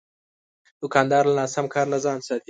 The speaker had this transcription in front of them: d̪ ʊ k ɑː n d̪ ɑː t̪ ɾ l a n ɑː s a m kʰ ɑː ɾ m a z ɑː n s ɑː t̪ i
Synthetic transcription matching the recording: d̪ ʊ k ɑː n d̪ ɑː ɾ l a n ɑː s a m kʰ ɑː ɾ n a z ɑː n s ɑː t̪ i